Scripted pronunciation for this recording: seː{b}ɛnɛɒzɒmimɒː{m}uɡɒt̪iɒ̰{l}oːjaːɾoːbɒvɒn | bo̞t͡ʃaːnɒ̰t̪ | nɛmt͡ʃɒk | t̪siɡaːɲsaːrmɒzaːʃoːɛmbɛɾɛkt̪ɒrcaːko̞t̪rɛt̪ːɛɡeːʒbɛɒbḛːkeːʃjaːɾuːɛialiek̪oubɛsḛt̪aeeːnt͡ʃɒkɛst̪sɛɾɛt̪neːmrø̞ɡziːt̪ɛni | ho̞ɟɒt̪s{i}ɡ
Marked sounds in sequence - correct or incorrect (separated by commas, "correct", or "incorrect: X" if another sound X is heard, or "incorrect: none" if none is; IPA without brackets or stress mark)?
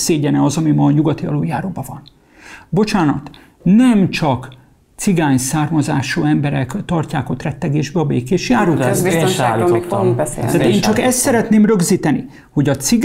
incorrect: ɟ, incorrect: ɲ, correct, correct